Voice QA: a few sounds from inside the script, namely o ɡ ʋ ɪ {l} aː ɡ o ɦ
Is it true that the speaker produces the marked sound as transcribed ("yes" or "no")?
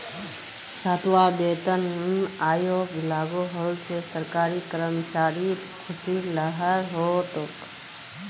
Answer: yes